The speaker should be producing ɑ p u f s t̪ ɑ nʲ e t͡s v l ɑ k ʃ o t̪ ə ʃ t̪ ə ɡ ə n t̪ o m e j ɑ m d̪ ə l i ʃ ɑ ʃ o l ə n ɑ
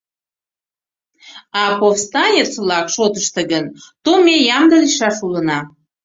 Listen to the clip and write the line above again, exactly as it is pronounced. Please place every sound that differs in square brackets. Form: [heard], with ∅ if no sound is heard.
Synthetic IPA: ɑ p [o] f s t̪ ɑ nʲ e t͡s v l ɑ k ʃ o t̪ ə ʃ t̪ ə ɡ ə n t̪ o m e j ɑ m d̪ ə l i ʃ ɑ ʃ [u] l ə n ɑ

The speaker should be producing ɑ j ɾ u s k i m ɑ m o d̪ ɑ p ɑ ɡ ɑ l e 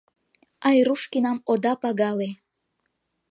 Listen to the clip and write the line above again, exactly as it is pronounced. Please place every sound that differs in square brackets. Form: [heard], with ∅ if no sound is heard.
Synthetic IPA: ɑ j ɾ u [ʃ] k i [n] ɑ m o d̪ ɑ p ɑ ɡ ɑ l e

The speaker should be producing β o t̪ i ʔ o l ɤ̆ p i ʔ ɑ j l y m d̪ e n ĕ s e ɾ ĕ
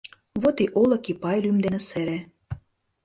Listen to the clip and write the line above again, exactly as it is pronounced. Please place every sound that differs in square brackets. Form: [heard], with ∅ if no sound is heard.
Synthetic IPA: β o t̪ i ʔ o l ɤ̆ [k] i [p] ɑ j l y m d̪ e n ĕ s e ɾ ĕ

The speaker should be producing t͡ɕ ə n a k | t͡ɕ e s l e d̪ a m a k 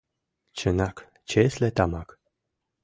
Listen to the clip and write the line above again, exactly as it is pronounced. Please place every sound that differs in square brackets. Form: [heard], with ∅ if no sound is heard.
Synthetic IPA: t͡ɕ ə n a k | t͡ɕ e s l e [t̪] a m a k

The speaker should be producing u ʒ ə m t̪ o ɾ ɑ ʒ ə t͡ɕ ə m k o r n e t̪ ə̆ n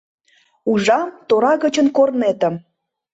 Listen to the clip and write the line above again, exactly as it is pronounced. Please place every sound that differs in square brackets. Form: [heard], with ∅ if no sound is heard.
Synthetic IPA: u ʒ [ɑ] m t̪ o ɾ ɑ [ɣ] ə t͡ɕ ə [n] k o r n e t̪ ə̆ [m]

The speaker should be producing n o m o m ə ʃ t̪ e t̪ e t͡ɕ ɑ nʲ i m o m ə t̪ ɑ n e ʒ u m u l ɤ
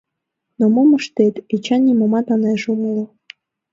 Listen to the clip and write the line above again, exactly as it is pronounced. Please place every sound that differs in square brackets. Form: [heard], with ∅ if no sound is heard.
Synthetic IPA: n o m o m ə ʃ t̪ e t̪ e t͡ɕ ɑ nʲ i m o m [ɑ] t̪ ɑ n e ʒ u m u l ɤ

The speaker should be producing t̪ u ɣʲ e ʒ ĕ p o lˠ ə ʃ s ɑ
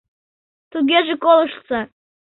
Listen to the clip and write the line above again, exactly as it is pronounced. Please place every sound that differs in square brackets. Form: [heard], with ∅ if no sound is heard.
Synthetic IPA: t̪ u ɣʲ e ʒ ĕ [k] o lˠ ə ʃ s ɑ

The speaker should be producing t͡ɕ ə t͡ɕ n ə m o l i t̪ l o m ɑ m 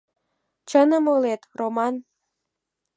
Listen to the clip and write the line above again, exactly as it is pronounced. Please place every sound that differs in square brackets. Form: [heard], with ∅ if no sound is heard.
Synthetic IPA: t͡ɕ ə [∅] n ə m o l [e] t̪ [r] o m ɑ [n]

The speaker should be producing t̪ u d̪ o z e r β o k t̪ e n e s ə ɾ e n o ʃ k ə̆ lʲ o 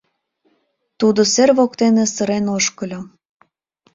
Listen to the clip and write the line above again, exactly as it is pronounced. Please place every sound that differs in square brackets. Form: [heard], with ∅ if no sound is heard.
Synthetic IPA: t̪ u d̪ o [s] e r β o k t̪ e n e s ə ɾ e n o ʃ k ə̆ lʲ o

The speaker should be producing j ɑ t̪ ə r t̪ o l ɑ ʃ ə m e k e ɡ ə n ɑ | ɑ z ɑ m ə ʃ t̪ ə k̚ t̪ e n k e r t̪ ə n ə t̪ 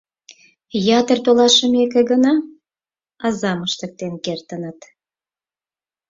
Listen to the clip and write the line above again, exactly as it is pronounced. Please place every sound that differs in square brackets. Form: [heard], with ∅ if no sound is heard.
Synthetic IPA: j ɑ t̪ ə r t̪ o l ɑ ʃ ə m e k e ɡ ə n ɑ | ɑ z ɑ m ə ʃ t̪ ə k̚ t̪ e n k e r t̪ ə n ə t̪

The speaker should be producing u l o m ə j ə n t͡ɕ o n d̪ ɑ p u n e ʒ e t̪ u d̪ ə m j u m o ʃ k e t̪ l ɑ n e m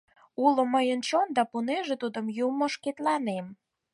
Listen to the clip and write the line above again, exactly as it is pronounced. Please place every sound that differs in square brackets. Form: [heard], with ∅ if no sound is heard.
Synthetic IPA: u l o m ə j ə n t͡ɕ o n d̪ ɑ p u n e ʒ e t̪ u d̪ ə m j u m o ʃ k e t̪ l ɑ n e m

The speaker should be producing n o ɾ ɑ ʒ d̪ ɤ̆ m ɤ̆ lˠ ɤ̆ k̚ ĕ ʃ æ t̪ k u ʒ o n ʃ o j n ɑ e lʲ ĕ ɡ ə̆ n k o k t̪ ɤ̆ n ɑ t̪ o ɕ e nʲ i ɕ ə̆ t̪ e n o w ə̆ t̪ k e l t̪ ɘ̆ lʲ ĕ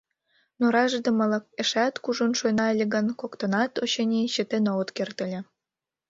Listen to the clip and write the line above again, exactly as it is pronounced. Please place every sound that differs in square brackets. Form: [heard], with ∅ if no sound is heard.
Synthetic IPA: n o ɾ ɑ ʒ d̪ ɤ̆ m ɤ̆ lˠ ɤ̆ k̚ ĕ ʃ æ t̪ k u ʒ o n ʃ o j n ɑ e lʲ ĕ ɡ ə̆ n k o k t̪ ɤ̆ n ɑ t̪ o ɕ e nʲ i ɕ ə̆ t̪ e n o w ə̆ t̪ k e [r] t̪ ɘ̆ lʲ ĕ

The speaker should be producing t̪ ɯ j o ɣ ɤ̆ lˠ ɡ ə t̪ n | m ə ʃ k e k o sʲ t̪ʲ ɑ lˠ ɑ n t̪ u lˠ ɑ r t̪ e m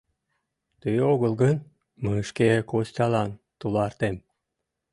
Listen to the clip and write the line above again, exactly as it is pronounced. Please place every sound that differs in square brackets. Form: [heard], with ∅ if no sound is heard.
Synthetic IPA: t̪ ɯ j o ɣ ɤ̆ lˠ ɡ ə [∅] n | m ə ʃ k e k o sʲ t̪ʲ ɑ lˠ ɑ n t̪ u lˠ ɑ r t̪ e m

